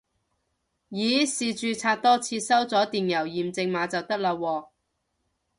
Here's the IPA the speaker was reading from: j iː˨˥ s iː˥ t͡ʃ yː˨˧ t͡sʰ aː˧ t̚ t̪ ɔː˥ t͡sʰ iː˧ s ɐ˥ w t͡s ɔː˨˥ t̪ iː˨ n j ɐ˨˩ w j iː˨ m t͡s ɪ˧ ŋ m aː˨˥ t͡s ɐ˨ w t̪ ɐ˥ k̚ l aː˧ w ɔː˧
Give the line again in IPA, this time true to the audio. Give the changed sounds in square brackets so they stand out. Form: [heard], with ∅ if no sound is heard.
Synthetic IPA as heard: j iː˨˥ s [iː˨] t͡ʃ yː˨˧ t͡sʰ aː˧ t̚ t̪ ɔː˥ t͡sʰ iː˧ s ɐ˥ w t͡s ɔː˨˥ t̪ iː˨ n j ɐ˨˩ w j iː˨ m t͡s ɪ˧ ŋ m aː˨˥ t͡s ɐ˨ w t̪ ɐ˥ k̚ l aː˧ w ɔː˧